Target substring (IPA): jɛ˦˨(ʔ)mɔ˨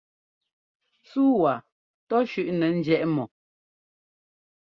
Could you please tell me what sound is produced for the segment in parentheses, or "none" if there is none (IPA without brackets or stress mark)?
ʔ